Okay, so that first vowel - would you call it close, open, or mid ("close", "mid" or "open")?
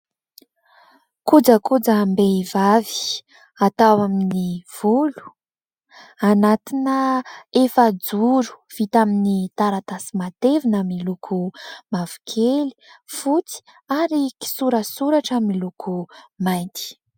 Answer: close